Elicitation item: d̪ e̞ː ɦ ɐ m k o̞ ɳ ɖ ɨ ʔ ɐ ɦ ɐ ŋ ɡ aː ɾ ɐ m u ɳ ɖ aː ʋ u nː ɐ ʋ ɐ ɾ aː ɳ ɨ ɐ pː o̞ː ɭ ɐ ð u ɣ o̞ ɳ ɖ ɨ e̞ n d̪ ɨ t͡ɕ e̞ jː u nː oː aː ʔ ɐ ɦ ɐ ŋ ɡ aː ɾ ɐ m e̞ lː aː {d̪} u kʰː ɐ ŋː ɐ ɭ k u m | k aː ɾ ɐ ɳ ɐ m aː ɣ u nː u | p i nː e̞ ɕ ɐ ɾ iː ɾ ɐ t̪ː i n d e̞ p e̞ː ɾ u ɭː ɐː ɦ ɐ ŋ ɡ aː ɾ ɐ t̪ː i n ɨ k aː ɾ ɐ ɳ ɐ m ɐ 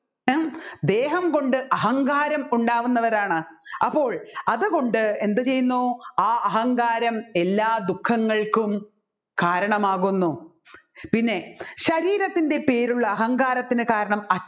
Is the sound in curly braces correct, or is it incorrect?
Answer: correct